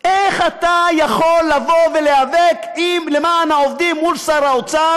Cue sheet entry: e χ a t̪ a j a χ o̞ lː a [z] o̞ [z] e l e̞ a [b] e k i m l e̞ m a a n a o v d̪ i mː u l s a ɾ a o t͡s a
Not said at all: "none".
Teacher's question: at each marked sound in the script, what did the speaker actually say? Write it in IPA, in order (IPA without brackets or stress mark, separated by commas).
v, v, v